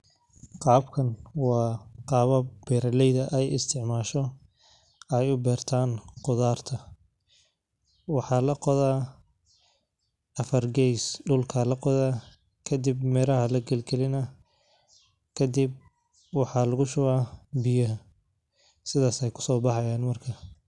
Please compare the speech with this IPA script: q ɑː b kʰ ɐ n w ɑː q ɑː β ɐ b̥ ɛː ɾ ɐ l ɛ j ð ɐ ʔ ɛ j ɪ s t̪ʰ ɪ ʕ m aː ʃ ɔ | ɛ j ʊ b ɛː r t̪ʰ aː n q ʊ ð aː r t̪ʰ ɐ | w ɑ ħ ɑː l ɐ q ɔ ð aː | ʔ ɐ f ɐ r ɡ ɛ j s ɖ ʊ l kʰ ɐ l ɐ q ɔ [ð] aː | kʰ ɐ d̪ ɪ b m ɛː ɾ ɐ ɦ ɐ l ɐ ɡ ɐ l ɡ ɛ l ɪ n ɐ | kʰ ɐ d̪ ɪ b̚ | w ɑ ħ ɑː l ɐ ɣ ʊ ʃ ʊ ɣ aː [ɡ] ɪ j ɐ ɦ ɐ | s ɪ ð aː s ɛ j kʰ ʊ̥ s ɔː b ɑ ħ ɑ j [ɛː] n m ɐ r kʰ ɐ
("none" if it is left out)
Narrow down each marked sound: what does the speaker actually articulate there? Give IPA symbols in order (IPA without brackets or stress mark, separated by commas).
ð, b, aː